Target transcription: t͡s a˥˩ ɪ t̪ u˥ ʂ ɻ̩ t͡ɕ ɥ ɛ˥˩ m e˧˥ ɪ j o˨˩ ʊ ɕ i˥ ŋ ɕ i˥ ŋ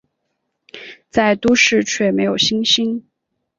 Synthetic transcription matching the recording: t͡s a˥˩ ɪ t̪ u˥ ʂ ɻ̩ t͡ɕʰ ɥ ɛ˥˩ m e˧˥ ɪ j o˨˩ ʊ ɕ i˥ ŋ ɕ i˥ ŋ